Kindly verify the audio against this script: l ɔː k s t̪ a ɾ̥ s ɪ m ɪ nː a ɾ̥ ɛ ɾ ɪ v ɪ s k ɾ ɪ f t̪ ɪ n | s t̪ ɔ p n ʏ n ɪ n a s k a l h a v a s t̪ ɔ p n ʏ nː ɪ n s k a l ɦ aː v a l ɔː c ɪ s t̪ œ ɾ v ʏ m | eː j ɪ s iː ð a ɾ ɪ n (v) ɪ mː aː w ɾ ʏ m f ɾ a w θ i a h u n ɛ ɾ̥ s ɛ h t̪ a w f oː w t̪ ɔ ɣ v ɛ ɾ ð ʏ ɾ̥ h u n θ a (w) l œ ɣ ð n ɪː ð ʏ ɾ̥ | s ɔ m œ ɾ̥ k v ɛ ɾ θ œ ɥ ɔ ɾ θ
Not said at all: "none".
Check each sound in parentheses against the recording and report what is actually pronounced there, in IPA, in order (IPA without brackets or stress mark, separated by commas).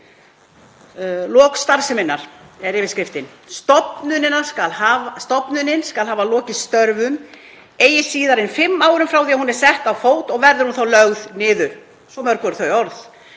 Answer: f, w